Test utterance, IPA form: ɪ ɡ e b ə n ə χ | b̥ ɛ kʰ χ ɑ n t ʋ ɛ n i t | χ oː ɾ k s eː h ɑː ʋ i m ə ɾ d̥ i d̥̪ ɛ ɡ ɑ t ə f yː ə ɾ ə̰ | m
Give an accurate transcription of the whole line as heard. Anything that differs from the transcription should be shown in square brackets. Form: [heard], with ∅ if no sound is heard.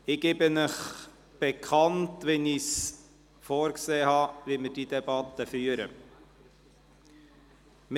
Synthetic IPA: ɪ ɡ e b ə n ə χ | b̥ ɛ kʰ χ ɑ n t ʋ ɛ n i [s] | [f] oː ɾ k s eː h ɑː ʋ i m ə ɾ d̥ i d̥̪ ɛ [b] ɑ t ə f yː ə ɾ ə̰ | m

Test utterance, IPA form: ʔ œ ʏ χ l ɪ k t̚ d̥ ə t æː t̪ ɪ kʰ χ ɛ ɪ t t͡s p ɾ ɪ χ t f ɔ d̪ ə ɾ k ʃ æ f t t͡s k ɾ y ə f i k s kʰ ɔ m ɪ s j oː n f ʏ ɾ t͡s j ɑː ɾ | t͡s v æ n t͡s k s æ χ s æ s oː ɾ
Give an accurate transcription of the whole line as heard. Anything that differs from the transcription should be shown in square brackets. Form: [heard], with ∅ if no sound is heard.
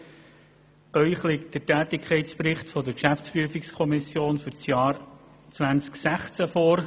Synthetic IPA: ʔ œ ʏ χ l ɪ k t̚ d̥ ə t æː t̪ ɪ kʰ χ ɛ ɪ t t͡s p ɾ ɪ χ t f ɔ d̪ ə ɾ k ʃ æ f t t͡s [p] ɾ y ə f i k s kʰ ɔ m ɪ s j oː n f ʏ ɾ t͡s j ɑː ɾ | t͡s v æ n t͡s k s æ χ [t͡s] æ [f] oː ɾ

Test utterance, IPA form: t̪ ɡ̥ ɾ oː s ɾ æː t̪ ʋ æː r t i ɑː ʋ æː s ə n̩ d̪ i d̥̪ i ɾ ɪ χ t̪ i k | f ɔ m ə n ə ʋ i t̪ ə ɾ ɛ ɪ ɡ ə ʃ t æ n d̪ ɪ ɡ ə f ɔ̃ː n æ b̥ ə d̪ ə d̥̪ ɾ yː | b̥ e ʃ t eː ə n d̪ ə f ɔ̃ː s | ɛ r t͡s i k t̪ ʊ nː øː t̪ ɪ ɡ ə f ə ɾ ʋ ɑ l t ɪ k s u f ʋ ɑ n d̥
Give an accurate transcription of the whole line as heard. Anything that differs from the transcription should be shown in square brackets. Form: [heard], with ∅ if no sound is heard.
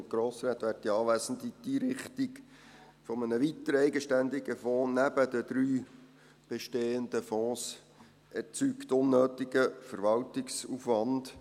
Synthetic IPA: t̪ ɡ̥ ɾ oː s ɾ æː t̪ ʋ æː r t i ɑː ʋ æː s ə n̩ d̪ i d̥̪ i ɾ ɪ χ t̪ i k | f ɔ m ə n ə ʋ i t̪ ə ɾ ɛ ɪ ɡ ə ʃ t æ n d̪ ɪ ɡ ə f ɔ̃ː n æ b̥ ə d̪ ə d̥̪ ɾ yː | b̥ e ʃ t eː ə n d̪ ə f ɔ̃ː s | ɛ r t͡s [y] k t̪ ʊ nː øː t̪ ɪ ɡ ə f ə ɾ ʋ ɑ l t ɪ k s u f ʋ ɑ n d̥

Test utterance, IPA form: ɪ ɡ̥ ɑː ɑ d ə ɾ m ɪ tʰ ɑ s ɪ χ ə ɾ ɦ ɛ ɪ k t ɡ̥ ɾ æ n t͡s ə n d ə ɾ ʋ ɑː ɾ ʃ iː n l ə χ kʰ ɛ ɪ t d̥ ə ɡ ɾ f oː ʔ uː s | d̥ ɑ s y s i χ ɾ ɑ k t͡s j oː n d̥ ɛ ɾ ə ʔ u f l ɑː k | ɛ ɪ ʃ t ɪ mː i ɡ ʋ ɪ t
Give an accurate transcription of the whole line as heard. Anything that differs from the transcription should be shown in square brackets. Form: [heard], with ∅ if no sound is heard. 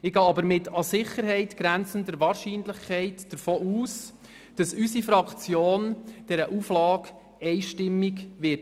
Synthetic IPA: ɪ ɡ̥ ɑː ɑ [b] ə ɾ m ɪ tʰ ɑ s ɪ χ ə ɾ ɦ ɛ ɪ [∅] t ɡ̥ ɾ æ n t͡s ə n d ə ɾ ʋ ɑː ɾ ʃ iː n l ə χ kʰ ɛ ɪ t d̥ ə [∅] ɾ f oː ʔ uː s | d̥ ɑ s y s i [f] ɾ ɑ k t͡s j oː n d̥ ɛ ɾ ə ʔ u f l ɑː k | ɛ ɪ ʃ t ɪ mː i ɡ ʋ ɪ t

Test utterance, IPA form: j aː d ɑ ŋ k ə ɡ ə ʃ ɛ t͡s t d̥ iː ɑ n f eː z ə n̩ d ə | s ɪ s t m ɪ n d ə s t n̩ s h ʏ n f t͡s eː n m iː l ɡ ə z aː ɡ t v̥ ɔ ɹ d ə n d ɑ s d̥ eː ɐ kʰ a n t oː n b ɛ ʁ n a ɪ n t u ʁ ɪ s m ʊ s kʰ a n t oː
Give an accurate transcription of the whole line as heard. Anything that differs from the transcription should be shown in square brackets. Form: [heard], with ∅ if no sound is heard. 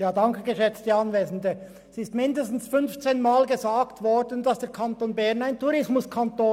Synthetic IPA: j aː d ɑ ŋ k ə ɡ ə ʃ ɛ t͡s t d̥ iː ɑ n [v] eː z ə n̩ d ə | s ɪ s t m ɪ n d ə s t n̩ s [f] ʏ n f t͡s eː n m [aː] l ɡ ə z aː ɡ t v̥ ɔ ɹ d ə n d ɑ s d̥ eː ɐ kʰ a n t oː n b ɛ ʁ n a ɪ n t u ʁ ɪ s m ʊ s kʰ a n t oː

